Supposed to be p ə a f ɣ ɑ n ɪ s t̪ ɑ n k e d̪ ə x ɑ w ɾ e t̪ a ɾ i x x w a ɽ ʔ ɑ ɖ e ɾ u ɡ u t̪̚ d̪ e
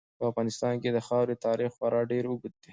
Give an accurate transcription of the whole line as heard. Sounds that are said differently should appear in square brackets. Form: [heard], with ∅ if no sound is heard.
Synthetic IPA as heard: p ə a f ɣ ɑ n ɪ s t̪ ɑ n k e d̪ ə x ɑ w ɾ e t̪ [ɑ] ɾ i x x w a [ɾ] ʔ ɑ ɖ e ɾ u ɡ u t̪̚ d̪ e